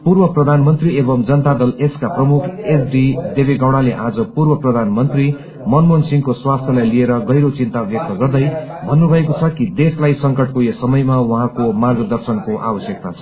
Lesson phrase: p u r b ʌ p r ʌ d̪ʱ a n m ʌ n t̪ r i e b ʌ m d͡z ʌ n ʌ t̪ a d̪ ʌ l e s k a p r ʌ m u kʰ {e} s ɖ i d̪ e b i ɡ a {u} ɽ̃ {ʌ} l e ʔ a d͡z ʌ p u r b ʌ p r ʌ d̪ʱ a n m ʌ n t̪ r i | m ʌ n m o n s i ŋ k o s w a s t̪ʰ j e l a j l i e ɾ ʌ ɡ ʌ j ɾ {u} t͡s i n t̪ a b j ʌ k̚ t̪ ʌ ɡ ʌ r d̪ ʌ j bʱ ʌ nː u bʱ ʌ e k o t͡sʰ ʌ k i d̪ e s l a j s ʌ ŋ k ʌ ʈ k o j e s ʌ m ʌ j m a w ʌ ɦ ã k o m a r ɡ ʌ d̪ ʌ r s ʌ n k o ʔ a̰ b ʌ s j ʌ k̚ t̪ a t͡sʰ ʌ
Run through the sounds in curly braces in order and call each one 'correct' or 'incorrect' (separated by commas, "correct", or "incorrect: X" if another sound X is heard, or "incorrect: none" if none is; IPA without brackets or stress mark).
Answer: correct, incorrect: w, incorrect: a, incorrect: o